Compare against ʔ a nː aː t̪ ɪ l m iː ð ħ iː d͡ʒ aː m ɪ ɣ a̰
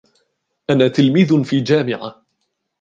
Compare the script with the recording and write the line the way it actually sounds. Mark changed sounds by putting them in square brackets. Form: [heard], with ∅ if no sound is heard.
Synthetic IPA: ʔ a [n] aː t̪ ɪ l m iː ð [f] iː d͡ʒ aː m ɪ [ʕ] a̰

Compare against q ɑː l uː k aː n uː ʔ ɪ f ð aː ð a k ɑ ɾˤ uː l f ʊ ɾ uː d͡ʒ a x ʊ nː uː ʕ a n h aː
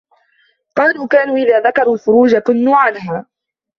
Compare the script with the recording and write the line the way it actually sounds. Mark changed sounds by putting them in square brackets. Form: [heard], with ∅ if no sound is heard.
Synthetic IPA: q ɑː l uː k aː n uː ʔ ɪ [∅] ð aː ð a k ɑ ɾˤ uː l f ʊ ɾ uː d͡ʒ a [k] ʊ nː uː ʕ a n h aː

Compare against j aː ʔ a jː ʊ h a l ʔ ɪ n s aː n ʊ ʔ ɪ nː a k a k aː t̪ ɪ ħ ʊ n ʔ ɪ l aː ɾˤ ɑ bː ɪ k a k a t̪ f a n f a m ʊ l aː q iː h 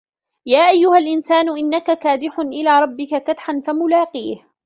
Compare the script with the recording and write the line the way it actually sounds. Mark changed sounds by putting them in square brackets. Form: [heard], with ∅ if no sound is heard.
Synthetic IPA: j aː ʔ a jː ʊ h a l ʔ ɪ n s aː n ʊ ʔ ɪ nː a k a k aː [d̪] ɪ ħ ʊ n ʔ ɪ l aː ɾˤ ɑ bː ɪ k a k a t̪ [ħ] a n f a m ʊ l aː q iː h

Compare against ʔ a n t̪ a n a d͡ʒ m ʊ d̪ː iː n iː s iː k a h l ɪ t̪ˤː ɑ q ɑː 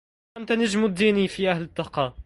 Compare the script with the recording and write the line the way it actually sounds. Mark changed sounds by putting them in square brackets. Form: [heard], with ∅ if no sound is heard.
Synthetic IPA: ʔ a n t̪ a n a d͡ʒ m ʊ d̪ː iː n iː [f] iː [ʔ] a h l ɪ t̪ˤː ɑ q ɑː

